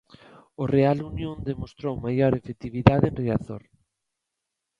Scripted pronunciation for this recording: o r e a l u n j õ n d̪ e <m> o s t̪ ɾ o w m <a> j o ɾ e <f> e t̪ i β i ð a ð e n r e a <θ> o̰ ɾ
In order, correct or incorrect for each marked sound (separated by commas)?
correct, correct, correct, correct